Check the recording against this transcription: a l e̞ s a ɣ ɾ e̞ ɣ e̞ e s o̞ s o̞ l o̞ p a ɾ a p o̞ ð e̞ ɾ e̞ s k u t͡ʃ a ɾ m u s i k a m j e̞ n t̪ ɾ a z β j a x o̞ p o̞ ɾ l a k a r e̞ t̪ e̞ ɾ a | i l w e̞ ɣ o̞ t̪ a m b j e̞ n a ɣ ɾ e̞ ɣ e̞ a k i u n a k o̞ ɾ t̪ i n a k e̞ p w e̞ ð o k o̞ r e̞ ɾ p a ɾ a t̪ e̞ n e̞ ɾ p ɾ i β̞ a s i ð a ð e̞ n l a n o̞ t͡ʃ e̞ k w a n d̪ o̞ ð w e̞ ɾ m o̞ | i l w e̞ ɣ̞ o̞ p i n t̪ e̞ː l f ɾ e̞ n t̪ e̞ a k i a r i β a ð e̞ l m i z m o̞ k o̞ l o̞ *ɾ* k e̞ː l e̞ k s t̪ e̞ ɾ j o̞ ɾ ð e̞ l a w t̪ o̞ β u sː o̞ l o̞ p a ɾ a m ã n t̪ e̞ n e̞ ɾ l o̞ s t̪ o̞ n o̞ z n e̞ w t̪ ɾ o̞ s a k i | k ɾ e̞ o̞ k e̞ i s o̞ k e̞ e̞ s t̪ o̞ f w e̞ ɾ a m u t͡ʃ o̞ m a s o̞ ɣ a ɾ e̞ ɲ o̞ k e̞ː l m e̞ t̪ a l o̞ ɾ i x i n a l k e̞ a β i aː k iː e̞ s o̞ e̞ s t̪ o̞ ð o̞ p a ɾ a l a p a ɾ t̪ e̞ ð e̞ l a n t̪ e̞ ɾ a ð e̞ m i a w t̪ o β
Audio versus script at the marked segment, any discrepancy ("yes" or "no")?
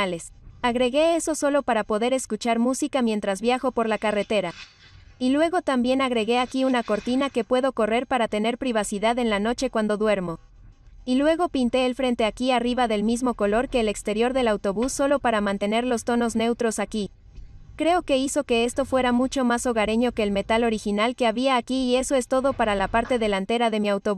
no